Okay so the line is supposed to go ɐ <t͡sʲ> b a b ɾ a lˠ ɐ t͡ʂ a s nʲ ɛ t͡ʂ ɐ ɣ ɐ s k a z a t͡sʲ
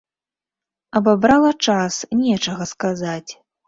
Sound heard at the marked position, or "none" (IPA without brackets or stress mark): none